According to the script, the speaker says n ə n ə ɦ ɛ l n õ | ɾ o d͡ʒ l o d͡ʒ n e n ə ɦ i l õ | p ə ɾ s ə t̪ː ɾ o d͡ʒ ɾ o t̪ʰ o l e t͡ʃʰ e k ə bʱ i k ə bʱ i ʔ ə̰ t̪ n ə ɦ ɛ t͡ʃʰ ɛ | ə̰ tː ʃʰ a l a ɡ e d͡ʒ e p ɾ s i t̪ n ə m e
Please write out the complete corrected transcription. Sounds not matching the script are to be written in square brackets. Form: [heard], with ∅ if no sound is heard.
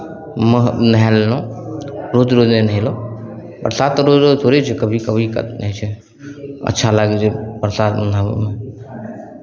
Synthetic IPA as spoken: [m] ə n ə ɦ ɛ l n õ | ɾ o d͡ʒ [ɾ] o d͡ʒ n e n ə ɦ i l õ | p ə ɾ s [a] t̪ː ɾ o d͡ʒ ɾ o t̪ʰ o [ɾ] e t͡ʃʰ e k ə bʱ i k ə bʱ i [k] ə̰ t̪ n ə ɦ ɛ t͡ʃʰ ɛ | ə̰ tː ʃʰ a l a ɡ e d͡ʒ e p ɾ s [a] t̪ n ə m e

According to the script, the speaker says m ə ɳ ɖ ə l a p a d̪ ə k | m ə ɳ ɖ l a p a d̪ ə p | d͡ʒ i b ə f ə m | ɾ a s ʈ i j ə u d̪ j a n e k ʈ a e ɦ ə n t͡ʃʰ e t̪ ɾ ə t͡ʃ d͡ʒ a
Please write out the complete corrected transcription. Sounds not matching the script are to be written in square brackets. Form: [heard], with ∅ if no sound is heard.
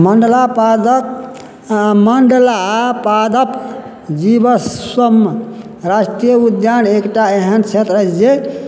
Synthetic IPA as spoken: m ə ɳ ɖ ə l a p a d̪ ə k | m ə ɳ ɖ l a p a d̪ ə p | d͡ʒ i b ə [s] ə m | ɾ a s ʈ i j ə u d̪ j a n e k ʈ a e ɦ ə n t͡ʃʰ e t̪ ɾ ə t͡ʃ d͡ʒ [e]

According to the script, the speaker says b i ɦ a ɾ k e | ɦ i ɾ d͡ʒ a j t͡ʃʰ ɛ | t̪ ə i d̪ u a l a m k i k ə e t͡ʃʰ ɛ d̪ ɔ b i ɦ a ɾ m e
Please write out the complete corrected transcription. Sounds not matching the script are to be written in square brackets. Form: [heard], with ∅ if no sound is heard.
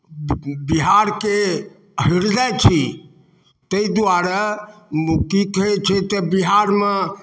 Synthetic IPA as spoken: b i ɦ a ɾ k e | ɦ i ɾ d͡ʒ a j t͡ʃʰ [i] | t̪ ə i d̪ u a [ɾ] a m k i k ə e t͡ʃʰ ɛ [t̪] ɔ b i ɦ a ɾ m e

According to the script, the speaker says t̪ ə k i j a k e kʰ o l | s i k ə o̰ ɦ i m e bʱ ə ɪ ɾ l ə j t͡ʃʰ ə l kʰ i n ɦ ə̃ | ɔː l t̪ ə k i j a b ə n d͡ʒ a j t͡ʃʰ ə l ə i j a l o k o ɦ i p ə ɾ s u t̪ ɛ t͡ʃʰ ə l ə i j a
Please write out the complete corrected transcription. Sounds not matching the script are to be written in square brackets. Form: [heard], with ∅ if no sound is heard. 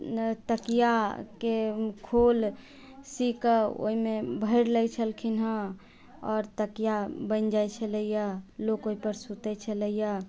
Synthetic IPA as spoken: t̪ ə k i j a k e kʰ o l | s i k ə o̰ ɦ i m e bʱ ə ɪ ɾ l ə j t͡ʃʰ ə l kʰ i n ɦ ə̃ | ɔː [ɾ] t̪ ə k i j a b ə n d͡ʒ a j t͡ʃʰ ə l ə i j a l o k o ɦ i p ə ɾ s u t̪ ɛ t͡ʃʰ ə l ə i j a

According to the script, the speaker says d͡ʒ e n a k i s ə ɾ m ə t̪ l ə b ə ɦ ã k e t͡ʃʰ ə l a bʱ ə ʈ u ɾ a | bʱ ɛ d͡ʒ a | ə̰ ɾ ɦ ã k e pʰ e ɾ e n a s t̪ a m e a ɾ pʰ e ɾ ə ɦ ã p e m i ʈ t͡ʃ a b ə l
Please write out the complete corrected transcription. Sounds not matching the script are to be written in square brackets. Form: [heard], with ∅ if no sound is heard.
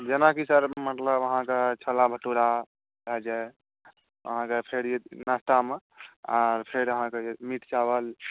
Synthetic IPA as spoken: d͡ʒ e n a k i s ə ɾ m ə t̪ l ə b ə ɦ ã k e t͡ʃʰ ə l a bʱ ə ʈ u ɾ a | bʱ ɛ d͡ʒ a | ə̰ [∅] ɦ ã k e pʰ e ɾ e n a s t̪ a m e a ɾ pʰ e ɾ ə ɦ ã [k] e m i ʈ t͡ʃ a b ə l

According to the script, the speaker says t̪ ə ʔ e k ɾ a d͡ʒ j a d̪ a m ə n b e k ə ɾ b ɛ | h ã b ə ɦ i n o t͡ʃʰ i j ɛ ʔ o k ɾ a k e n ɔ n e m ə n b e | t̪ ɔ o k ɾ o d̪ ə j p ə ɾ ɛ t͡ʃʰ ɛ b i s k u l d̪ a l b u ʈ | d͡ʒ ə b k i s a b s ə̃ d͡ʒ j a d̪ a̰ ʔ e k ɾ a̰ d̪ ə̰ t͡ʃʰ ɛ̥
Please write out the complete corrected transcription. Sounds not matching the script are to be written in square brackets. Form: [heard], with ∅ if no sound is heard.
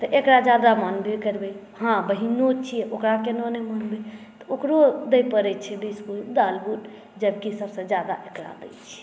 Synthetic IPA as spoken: t̪ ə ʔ e k ɾ a d͡ʒ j a d̪ a m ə n b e k ə ɾ b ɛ | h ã b ə ɦ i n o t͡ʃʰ i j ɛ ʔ o k ɾ a k e n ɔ n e m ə n b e | t̪ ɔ o k ɾ o d̪ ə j p ə ɾ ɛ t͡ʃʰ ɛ b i s k u l d̪ a l b u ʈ | d͡ʒ ə b k i s [ə] b s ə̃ d͡ʒ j a d̪ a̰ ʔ e k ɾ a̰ d̪ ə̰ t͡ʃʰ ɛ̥

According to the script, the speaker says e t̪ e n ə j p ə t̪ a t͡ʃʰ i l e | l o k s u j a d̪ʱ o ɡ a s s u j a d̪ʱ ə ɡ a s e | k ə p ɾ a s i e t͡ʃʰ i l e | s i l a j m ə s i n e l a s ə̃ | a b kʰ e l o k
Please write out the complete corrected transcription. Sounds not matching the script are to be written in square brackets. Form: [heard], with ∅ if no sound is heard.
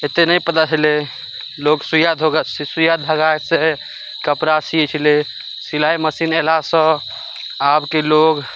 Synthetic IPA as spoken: e t̪ e n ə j p ə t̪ a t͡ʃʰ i l e | l o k s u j a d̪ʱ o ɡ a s s u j a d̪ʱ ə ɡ a s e | k ə p ɾ a s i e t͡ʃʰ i l e | s i l a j m ə s i n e l a s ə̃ | a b [k] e l o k

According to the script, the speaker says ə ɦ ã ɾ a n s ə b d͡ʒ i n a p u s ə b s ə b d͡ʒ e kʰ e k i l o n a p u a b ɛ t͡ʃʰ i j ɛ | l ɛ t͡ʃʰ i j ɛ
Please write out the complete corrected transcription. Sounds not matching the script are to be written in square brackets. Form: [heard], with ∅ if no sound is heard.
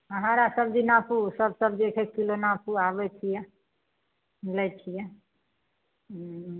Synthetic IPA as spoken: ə ɦ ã ɾ a [∅] s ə b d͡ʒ i n a p u s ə b s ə b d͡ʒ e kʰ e k i l o n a p u a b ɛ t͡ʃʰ i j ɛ | l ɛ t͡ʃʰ i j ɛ

